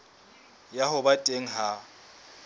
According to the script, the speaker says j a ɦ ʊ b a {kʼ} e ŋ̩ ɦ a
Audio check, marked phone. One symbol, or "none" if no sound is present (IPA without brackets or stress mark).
tʼ